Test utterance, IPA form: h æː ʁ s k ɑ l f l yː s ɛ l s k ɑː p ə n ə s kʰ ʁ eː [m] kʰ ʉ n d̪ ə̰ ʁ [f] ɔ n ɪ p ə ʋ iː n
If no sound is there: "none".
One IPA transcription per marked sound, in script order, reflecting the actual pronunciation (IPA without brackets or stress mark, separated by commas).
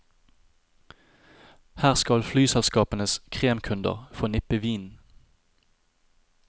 m, f